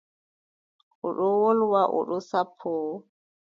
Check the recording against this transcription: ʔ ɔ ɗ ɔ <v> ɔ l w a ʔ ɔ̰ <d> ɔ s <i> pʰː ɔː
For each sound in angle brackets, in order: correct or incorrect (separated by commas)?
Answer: incorrect, incorrect, incorrect